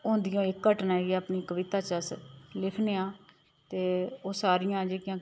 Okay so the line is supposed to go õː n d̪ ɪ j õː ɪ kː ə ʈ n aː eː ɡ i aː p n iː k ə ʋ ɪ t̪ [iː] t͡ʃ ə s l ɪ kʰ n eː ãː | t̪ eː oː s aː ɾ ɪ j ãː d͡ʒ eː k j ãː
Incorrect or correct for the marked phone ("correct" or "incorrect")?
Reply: incorrect